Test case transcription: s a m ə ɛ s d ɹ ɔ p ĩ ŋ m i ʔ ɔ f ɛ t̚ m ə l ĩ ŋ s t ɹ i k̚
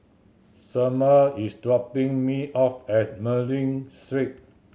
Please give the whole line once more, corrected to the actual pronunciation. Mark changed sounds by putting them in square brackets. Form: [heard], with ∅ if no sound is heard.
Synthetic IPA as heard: s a m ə [i] s d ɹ ɔ p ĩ ŋ m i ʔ ɔ f ɛ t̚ m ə l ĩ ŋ s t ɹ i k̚